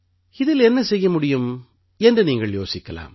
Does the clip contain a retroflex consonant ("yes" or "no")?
yes